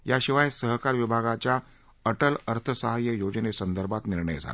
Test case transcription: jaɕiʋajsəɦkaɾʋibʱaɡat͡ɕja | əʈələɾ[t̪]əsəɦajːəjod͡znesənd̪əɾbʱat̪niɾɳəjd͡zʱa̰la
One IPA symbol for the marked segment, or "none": t̪ʰ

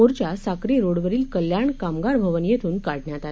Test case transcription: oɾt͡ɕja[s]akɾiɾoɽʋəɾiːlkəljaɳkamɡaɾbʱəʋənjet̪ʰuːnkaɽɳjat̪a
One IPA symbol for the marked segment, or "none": s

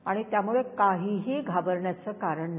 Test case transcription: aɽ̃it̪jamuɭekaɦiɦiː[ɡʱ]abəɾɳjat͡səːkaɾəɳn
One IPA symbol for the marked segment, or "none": ɡʱ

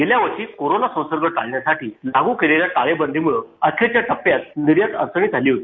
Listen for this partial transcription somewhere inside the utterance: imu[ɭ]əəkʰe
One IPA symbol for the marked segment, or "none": ɭ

